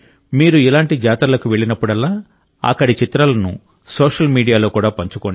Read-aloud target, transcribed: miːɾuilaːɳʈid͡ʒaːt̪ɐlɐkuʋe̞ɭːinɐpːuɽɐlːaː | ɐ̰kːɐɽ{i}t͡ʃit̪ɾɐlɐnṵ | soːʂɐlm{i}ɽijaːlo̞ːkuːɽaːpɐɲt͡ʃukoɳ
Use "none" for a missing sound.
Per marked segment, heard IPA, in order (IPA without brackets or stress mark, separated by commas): i, iː